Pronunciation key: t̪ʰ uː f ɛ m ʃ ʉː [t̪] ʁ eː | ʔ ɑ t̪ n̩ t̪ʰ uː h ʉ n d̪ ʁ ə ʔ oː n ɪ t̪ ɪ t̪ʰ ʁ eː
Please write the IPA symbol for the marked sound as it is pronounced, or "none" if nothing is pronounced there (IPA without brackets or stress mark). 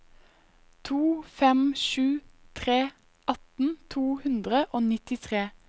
t̪ʰ